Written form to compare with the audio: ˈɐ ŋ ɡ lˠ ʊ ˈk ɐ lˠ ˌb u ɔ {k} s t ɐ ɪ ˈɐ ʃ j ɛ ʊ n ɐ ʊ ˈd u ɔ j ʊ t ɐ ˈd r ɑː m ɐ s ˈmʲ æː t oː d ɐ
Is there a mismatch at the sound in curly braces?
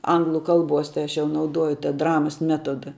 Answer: yes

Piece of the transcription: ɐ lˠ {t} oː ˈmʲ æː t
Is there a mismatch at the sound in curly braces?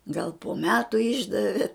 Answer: yes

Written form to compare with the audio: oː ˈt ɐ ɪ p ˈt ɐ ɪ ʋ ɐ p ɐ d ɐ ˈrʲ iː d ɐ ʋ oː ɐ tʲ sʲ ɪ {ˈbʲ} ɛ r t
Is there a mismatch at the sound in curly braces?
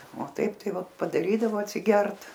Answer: yes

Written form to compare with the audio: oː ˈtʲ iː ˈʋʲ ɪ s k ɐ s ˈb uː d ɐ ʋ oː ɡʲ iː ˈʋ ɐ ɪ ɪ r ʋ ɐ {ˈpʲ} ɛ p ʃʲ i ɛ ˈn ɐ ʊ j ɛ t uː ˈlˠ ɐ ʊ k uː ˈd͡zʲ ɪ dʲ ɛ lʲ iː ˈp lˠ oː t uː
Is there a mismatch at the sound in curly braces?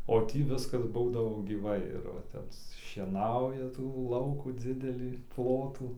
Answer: yes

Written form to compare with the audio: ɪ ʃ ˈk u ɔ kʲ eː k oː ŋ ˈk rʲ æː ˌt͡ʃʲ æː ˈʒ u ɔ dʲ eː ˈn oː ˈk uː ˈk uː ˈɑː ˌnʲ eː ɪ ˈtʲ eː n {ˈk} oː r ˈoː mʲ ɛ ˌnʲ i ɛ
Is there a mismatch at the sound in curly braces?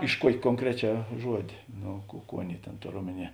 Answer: yes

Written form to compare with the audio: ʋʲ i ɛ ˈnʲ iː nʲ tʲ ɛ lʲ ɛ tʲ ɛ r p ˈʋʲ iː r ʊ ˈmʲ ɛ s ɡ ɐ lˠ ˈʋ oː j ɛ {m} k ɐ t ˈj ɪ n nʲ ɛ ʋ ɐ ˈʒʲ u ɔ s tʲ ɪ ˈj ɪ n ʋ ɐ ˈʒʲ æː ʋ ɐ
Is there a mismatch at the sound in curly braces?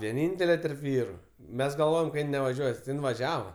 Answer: no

